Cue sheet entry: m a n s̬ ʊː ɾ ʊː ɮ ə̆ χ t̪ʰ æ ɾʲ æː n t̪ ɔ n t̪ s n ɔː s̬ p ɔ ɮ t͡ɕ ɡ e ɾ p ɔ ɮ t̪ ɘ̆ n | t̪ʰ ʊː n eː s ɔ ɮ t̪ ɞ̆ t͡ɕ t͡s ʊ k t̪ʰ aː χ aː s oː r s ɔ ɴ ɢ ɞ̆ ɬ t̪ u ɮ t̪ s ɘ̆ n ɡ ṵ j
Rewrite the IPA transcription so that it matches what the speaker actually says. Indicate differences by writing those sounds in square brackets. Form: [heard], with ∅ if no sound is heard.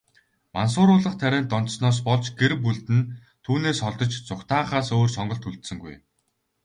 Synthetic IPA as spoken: m a n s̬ ʊː ɾ ʊː ɮ ə̆ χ t̪ʰ æ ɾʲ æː n t̪ ɔ n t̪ s n ɔː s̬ p ɔ ɮ t͡ɕ ɡ e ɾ p [u] ɮ t̪ ɘ̆ n | t̪ʰ [uː] n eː s ɔ ɮ t̪ ɞ̆ t͡ɕ t͡s ʊ k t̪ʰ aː χ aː s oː r s ɔ ɴ ɢ ɞ̆ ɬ t̪ u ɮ t̪ s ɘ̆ [ŋ] ɡ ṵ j